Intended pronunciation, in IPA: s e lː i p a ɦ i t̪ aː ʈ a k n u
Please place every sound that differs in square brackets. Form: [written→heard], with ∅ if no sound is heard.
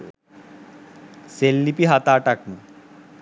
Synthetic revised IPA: s e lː i p [a→i] ɦ [i→a] t̪ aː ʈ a k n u